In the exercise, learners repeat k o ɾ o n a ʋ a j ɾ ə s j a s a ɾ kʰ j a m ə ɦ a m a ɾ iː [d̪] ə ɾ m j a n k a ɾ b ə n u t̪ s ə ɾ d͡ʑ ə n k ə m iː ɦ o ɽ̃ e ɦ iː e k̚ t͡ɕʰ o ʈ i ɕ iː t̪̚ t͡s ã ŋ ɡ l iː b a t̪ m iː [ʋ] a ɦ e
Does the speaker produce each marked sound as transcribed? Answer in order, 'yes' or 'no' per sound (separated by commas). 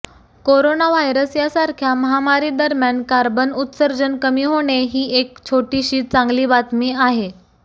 yes, no